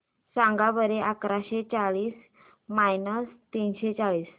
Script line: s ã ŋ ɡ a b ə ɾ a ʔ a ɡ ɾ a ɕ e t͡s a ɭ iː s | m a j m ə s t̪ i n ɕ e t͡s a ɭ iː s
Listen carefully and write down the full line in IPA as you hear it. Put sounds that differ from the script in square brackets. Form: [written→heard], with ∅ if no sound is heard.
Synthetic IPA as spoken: s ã ŋ ɡ a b ə ɾ [a→e] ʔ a [ɡ→k] ɾ a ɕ e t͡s a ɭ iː s | m a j [m→n] ə s t̪ i n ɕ e t͡s a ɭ iː s